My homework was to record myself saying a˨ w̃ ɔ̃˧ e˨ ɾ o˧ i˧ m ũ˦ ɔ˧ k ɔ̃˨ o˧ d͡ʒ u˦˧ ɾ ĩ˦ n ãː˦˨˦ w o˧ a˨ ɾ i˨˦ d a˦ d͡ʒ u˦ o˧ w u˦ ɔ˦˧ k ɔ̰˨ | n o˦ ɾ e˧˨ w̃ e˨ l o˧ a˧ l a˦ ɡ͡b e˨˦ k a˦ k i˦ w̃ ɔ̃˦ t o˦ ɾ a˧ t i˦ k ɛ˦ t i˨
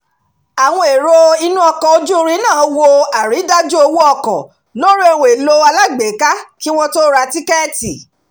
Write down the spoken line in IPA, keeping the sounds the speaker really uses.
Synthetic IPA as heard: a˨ w̃ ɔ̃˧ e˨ ɾ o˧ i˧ n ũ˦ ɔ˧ k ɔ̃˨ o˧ d͡ʒ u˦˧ ɾ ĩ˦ n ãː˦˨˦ w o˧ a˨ ɾ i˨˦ d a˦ d͡ʒ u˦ o˧ w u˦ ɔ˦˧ k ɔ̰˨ | n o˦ ɾ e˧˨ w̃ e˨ l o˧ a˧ l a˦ ɡ͡b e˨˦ k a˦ k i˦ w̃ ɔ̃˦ t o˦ ɾ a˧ t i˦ k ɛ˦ t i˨